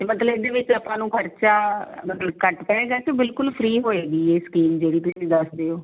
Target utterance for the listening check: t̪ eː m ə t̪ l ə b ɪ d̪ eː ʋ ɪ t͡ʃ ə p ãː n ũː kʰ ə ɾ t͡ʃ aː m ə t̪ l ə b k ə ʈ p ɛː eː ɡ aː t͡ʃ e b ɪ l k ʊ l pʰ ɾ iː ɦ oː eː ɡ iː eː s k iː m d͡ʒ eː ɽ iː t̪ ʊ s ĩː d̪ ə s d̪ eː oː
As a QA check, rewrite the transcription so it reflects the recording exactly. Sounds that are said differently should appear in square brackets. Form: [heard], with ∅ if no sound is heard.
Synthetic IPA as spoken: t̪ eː m ə t̪ l ə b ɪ d̪ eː ʋ ɪ t͡ʃ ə p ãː n ũː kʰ ə ɾ t͡ʃ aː m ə t̪ l ə b k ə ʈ p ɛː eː ɡ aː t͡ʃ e b ɪ l k ʊ l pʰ ɾ iː ɦ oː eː ɡ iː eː s k iː m d͡ʒ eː ɽ iː t̪ ʊ s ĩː d̪ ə s d̪ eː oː